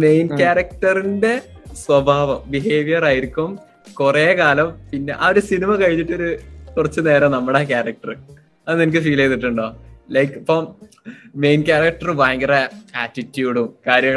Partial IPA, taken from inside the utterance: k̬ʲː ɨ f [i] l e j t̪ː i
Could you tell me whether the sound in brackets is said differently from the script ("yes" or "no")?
yes